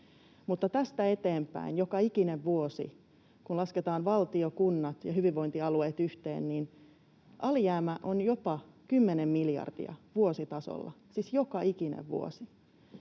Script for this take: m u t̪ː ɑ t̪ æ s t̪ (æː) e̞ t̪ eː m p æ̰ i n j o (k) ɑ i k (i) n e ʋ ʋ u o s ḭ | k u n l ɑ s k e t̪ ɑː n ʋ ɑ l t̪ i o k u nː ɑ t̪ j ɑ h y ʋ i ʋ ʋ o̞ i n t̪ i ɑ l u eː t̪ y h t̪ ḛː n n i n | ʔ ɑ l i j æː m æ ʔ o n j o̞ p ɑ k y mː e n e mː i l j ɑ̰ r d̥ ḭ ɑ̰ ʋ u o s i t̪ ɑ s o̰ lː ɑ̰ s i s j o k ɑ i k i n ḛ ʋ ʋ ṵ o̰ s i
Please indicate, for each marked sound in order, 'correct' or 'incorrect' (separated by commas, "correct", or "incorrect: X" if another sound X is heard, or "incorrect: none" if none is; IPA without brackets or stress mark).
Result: incorrect: æ, correct, correct